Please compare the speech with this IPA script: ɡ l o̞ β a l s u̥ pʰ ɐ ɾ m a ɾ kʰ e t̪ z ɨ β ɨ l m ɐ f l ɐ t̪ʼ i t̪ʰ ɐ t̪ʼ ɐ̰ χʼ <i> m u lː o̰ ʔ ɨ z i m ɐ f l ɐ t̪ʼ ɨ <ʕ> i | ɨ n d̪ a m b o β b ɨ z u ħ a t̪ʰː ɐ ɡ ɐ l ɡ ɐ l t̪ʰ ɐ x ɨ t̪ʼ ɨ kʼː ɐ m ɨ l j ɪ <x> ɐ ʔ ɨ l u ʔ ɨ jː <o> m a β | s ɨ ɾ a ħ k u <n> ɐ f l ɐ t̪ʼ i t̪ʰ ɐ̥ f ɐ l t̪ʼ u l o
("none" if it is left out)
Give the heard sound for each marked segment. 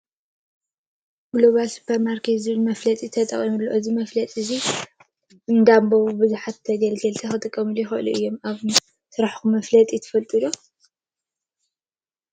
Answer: i, z, x, o, m

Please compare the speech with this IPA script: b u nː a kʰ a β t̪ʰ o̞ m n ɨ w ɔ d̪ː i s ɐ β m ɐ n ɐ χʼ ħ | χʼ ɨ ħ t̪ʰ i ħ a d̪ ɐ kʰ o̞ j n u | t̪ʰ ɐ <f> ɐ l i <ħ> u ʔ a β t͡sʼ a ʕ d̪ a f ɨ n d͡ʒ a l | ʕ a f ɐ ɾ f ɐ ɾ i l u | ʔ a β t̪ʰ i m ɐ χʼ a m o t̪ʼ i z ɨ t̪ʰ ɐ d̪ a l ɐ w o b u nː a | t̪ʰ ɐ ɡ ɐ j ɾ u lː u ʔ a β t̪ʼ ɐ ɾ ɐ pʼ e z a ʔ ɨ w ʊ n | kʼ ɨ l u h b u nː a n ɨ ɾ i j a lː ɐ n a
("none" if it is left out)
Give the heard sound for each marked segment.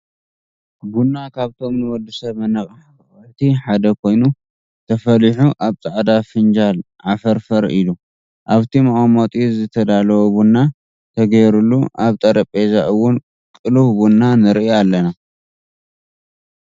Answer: f, ħ

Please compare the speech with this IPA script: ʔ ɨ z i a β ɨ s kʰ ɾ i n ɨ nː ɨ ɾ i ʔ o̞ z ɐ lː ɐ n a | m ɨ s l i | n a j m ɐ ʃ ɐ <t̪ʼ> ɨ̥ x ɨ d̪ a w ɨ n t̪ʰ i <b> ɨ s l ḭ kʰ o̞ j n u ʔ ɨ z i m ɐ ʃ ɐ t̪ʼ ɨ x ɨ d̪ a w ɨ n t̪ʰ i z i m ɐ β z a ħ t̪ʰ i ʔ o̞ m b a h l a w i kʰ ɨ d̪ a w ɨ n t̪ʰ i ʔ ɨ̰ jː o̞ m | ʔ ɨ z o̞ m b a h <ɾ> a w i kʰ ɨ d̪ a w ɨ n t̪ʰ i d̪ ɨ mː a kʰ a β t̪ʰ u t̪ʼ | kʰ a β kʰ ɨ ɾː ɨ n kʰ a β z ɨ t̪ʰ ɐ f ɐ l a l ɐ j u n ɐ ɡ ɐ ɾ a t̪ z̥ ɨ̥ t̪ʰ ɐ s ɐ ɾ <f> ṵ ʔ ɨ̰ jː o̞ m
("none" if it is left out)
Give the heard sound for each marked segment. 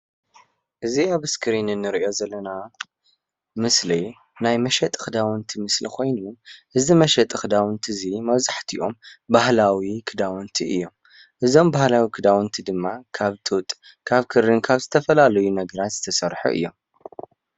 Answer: t̪ʼ, m, l, ħ

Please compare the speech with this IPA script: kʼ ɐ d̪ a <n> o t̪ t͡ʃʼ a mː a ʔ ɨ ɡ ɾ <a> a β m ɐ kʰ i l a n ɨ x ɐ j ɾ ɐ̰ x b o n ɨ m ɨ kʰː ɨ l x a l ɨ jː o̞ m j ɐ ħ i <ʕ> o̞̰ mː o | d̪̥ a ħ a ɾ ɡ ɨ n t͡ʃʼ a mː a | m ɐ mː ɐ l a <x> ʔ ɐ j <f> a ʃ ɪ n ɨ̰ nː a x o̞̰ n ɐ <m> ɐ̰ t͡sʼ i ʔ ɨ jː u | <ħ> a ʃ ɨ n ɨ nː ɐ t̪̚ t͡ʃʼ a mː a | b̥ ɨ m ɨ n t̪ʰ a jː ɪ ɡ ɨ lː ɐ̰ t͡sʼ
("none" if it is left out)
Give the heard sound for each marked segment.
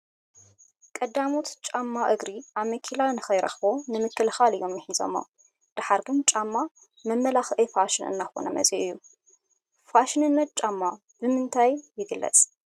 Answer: m, i, z, x, f, m, f

